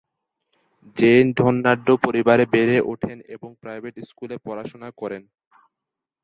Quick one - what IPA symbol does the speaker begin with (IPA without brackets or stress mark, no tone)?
d͡ʑ